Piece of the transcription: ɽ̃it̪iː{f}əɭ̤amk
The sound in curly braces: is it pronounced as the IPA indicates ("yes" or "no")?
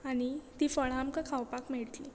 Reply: yes